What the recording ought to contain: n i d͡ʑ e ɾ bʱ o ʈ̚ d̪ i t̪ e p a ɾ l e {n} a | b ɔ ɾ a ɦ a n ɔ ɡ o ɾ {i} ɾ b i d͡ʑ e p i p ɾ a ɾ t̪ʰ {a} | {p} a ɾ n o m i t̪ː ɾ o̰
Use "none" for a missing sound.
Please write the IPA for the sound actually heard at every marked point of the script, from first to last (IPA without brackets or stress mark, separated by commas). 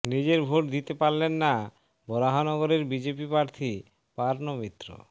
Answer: nː, e, i, p